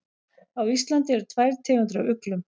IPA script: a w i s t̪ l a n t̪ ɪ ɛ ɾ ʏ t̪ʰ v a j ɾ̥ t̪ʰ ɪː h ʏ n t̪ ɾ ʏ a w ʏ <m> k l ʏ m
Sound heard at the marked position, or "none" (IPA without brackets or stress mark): none